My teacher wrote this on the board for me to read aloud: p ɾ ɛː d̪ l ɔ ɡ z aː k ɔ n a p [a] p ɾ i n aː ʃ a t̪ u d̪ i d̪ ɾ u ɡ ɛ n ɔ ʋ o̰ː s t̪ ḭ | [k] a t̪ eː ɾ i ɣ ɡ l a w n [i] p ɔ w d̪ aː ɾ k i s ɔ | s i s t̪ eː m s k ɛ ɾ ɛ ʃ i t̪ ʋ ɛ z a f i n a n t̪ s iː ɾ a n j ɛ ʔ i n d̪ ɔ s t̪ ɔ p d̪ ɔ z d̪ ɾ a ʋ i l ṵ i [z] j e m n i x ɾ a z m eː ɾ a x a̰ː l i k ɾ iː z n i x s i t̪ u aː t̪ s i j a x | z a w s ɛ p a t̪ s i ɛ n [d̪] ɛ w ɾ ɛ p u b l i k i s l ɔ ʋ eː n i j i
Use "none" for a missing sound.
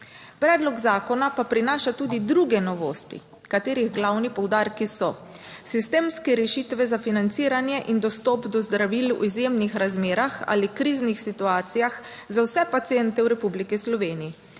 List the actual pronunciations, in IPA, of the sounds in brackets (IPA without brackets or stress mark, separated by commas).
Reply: a, k, i, z, t̪